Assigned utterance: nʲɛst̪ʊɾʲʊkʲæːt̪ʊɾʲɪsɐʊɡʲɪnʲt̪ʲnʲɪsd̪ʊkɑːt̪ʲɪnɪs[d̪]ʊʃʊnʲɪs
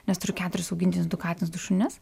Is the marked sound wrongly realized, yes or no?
no